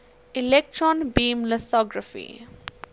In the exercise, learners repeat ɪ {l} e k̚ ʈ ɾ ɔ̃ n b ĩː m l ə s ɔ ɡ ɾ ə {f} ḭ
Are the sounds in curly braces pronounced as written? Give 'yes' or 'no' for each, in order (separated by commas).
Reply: yes, yes